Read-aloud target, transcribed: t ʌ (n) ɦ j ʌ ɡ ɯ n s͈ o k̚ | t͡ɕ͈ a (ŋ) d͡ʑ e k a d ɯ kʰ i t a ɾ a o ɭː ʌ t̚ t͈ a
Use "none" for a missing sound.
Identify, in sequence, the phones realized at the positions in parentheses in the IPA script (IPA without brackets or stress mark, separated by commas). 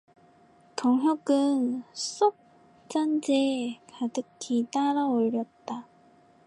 ŋ, n